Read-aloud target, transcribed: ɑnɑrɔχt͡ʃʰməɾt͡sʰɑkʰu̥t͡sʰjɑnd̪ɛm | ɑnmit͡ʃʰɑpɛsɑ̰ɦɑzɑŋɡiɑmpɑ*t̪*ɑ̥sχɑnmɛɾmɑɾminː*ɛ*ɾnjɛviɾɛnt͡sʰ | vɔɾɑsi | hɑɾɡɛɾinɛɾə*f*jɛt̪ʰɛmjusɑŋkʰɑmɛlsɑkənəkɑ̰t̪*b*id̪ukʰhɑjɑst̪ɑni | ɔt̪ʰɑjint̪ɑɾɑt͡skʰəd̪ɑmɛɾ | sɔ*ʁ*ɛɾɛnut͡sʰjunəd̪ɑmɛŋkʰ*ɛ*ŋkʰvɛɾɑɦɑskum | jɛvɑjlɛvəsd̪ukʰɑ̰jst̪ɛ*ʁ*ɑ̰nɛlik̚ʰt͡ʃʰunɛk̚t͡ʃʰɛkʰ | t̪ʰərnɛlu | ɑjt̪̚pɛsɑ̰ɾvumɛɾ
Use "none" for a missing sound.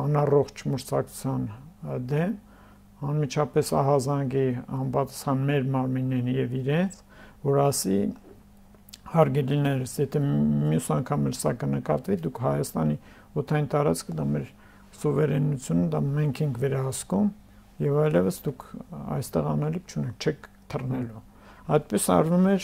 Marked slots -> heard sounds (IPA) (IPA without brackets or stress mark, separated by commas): t̪, ɛ, s, v, v, ɛ, ʁ